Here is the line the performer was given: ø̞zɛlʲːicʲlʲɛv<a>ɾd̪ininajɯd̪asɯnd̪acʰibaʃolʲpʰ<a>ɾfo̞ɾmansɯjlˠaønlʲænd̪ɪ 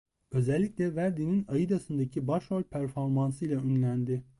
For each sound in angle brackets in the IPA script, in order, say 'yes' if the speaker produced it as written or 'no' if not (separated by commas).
no, no